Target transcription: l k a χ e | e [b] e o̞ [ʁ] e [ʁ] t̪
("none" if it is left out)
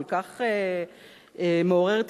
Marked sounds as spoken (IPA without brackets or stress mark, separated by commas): m, ʁ, ʁ